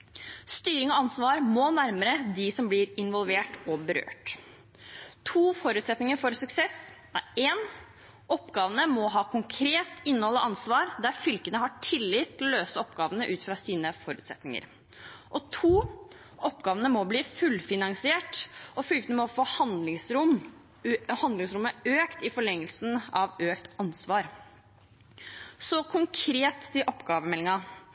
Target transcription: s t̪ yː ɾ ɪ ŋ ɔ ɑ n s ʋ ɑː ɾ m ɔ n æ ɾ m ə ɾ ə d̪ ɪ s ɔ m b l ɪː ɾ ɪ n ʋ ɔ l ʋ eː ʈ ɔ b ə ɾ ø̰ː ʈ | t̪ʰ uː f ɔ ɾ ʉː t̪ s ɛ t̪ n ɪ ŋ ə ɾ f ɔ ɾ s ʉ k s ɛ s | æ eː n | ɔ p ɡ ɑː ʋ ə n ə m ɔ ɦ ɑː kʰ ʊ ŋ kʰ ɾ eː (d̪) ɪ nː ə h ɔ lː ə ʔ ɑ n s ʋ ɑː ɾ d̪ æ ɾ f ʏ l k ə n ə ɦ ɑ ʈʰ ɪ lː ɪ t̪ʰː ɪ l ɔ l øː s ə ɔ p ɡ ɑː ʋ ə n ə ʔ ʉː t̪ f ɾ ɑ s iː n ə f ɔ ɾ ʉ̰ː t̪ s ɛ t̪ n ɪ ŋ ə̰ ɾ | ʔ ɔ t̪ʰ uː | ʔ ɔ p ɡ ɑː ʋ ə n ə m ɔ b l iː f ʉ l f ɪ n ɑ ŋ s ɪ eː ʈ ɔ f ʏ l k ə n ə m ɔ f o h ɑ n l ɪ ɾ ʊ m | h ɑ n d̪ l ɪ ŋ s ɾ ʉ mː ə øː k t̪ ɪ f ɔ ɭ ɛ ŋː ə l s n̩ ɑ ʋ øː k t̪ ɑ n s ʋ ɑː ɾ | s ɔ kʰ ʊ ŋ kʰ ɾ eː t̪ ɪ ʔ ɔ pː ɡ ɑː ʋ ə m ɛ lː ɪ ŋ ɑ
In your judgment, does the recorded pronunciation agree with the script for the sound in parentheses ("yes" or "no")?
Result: no